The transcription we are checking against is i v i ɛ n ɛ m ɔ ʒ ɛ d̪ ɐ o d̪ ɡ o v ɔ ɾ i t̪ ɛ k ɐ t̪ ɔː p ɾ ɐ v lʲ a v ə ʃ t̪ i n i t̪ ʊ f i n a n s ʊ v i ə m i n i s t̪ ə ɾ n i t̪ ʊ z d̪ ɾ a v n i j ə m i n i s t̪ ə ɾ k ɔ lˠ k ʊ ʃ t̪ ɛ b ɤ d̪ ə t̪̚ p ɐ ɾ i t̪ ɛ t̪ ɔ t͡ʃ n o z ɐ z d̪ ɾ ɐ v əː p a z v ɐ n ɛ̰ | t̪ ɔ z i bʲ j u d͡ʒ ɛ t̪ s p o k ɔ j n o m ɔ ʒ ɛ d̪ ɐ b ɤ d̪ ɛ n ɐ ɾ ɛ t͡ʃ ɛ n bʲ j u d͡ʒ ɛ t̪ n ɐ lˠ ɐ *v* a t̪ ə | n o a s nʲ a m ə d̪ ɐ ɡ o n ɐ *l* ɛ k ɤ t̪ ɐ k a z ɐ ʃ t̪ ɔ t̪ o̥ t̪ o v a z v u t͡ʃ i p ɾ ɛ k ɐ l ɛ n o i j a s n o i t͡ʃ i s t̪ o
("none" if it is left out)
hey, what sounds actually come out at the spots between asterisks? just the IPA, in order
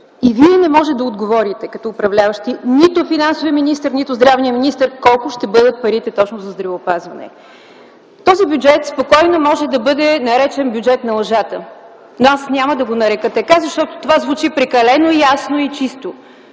ʒ, ɾ

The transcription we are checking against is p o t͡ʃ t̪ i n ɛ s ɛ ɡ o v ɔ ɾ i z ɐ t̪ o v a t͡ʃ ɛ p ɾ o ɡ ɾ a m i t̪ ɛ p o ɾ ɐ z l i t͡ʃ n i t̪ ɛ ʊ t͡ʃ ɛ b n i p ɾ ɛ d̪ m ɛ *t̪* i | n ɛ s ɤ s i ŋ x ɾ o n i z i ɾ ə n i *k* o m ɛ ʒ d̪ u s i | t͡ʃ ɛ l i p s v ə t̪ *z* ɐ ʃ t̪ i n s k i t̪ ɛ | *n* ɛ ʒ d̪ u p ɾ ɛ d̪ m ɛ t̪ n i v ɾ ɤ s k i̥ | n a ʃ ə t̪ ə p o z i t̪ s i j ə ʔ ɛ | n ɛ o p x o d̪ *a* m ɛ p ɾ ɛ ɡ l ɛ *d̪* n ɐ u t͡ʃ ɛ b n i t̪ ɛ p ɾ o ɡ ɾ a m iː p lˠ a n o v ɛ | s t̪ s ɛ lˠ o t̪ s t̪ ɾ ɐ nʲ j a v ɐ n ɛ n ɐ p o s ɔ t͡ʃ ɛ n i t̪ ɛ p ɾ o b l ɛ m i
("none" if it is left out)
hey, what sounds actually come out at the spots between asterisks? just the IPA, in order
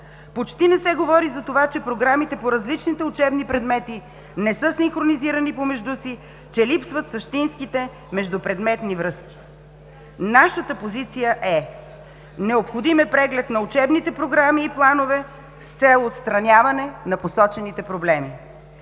t̪, p, s, m, i, t̪

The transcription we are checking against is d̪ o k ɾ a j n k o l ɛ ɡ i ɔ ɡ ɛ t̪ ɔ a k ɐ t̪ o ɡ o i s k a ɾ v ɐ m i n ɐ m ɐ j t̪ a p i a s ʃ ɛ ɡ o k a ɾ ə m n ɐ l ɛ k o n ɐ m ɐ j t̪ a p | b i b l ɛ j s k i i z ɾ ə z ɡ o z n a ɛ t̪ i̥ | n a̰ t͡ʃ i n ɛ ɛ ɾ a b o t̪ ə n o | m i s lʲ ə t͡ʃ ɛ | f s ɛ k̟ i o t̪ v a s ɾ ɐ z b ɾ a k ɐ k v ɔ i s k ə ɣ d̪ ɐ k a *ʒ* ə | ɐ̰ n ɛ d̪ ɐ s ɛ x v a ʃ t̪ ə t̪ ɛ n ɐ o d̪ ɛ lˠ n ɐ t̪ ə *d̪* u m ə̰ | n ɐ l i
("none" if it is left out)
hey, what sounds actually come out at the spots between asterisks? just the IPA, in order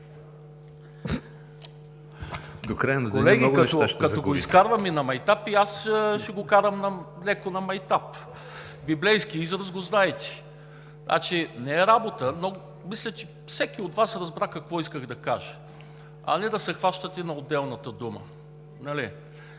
ʒ, d̪

